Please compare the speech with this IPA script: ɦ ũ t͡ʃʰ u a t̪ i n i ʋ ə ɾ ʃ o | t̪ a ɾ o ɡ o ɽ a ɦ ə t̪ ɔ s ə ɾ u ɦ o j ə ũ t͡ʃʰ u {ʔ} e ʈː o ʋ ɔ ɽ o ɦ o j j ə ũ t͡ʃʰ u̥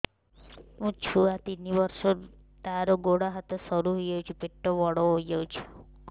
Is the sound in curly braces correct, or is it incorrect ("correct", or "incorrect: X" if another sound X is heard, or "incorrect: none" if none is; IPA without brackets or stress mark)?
incorrect: p